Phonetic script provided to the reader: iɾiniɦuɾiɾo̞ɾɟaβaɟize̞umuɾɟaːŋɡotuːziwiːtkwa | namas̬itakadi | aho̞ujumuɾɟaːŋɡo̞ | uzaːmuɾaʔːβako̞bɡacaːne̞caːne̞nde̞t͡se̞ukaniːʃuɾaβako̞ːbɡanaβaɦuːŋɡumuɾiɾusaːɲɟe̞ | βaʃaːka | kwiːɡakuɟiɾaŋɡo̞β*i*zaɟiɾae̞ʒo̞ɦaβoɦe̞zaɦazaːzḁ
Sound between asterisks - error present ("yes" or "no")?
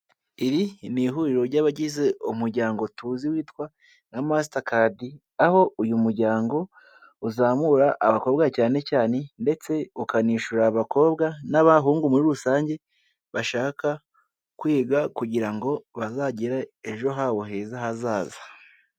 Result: yes